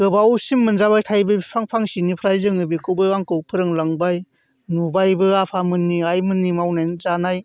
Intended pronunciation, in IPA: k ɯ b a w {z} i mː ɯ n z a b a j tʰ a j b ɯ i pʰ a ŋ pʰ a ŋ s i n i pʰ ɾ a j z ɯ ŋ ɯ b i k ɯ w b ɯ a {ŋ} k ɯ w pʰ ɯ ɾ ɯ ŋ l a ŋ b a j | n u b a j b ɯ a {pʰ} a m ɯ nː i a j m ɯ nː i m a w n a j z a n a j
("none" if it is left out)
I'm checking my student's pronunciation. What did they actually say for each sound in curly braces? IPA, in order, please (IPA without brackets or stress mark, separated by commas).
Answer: s, ŋ, pʰ